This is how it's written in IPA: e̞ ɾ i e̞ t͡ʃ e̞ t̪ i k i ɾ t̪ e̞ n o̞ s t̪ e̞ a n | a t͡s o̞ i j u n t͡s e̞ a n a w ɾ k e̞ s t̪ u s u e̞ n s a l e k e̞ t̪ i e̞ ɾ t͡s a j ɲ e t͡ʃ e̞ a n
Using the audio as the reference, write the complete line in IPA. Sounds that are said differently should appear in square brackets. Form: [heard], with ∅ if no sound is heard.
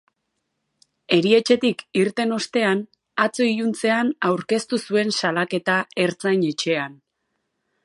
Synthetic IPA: e̞ ɾ i e̞ t͡ʃ e̞ t̪ i k i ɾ t̪ e̞ n o̞ s t̪ e̞ a n | a t͡s o̞ i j u n t͡s e̞ a n a w ɾ k e̞ s t̪ u s u e̞ n s a l [a] k e̞ t̪ [a] e̞ ɾ t͡s a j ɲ e t͡ʃ e̞ a n

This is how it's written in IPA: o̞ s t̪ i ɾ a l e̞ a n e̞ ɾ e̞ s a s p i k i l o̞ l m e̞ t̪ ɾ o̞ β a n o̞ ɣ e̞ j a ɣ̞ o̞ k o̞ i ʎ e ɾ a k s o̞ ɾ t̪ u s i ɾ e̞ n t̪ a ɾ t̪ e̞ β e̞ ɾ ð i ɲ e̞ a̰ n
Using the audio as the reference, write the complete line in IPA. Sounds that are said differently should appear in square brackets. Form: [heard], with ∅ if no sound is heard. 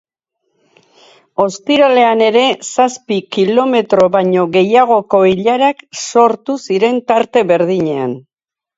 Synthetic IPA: o̞ s t̪ i ɾ a l e̞ a n e̞ ɾ e̞ s a s p i k i l o̞ [∅] m e̞ t̪ ɾ o̞ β a [ɲ] o̞ ɣ e̞ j a ɣ̞ o̞ k o̞ i ʎ [a] ɾ a k s o̞ ɾ t̪ u s i ɾ e̞ n t̪ a ɾ t̪ e̞ β e̞ ɾ ð i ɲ e̞ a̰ n

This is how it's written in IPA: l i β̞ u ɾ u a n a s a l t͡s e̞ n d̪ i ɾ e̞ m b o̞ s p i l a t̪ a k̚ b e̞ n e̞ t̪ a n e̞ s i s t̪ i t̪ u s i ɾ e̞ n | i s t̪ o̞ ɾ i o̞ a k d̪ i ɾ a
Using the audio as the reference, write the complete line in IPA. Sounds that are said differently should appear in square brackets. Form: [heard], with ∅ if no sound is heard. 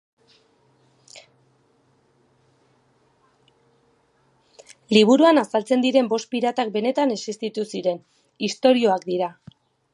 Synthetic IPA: l i β̞ u ɾ u a n a s a l t͡s e̞ n d̪ i ɾ e̞ m b o̞ s p i [ɾ] a t̪ a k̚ b e̞ n e̞ t̪ a n e̞ s i s t̪ i t̪ u s i ɾ e̞ n | i s t̪ o̞ ɾ i o̞ a k d̪ i ɾ a

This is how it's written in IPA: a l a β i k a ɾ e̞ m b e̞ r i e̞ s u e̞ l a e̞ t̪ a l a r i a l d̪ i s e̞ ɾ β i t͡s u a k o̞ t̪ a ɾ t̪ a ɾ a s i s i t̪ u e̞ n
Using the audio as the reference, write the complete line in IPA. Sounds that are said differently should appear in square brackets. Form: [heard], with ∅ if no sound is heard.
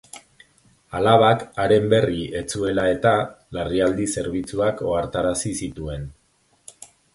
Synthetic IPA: a l a β [a] k a ɾ e̞ m b e̞ r i e̞ [t͡s] u e̞ l a e̞ t̪ a l a r i a l d̪ i s e̞ ɾ β i t͡s u a k o̞ [∅] a ɾ t̪ a ɾ a s i s i t̪ u e̞ n

